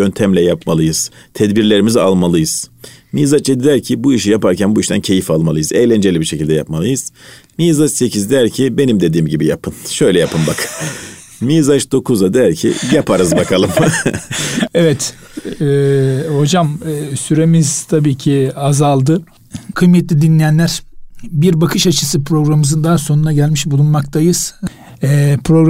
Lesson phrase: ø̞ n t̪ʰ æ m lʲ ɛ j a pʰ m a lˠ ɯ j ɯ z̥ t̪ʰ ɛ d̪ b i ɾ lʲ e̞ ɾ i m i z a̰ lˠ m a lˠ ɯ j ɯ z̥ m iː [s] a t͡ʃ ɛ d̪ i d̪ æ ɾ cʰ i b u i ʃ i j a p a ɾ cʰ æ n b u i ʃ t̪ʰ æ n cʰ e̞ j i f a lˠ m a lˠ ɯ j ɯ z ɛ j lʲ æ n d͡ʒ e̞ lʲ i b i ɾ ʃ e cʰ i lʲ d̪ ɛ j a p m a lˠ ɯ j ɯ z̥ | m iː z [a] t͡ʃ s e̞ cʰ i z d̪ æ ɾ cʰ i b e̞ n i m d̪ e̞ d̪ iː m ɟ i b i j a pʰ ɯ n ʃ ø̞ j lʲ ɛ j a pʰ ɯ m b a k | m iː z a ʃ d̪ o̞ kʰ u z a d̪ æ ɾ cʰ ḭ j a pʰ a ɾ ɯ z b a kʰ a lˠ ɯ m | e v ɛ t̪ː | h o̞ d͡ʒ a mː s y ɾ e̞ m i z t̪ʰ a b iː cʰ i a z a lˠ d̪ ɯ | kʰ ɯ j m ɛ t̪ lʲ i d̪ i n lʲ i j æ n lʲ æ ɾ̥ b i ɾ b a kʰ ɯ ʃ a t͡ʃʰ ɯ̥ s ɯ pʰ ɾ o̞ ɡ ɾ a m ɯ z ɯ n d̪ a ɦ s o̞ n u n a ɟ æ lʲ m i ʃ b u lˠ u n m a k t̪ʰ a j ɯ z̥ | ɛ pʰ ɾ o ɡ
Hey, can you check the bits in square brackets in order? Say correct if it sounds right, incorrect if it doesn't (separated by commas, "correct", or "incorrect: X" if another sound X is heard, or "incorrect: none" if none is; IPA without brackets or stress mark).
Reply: incorrect: z, correct